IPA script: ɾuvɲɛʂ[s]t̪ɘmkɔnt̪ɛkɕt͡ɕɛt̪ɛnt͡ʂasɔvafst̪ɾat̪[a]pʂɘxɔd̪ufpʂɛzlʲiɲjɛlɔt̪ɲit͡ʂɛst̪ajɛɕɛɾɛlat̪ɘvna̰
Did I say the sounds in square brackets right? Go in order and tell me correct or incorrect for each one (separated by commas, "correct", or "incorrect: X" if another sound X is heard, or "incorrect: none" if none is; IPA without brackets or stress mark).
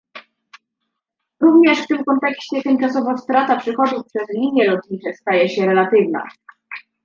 incorrect: f, correct